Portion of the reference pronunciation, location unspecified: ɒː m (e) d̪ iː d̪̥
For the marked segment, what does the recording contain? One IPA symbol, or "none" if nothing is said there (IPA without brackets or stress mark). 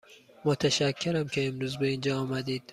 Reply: æ